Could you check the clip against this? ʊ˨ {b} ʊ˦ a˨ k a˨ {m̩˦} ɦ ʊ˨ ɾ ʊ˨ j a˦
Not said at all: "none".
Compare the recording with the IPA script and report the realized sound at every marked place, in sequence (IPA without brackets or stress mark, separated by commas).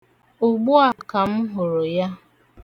ɡ͡b, m̩˦